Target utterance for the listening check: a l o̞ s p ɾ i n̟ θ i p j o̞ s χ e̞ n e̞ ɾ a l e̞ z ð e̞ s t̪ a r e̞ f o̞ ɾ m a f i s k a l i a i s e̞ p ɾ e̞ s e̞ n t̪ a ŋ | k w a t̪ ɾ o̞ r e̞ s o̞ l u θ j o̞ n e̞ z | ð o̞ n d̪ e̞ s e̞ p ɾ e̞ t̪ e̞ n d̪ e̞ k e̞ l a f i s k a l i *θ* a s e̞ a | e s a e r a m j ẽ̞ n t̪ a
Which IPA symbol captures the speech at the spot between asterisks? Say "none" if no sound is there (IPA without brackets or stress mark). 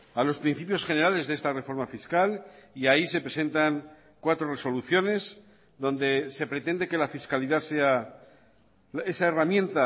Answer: ð